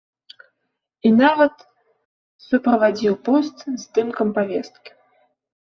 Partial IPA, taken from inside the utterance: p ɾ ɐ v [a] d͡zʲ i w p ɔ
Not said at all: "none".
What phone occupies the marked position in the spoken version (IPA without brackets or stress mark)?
a